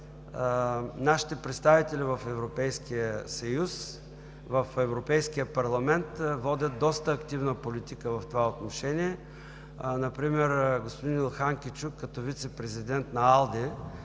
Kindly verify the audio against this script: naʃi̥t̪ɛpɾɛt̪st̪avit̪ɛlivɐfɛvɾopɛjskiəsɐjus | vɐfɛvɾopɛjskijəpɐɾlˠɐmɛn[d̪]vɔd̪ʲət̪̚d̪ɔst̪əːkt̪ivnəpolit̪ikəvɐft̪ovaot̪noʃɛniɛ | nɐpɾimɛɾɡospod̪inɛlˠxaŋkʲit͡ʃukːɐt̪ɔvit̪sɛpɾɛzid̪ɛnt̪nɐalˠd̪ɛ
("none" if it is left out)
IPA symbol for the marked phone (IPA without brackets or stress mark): t̪